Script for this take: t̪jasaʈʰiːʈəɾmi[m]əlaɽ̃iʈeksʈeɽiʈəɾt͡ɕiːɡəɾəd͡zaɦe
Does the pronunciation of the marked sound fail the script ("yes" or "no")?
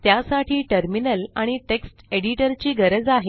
yes